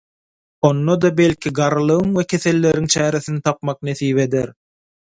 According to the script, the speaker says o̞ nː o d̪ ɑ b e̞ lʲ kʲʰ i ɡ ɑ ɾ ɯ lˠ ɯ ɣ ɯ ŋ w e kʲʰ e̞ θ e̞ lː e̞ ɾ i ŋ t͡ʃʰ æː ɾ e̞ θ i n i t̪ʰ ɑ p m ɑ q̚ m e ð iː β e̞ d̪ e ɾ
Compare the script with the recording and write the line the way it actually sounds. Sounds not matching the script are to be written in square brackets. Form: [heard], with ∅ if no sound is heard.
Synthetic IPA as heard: o̞ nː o d̪ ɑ b e̞ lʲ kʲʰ i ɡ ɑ ɾ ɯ lˠ ɯ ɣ ɯ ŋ w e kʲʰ e̞ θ e̞ lː e̞ ɾ i ŋ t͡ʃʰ æː ɾ e̞ θ i n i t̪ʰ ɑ p m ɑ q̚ [n] e [θ] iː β e̞ d̪ e ɾ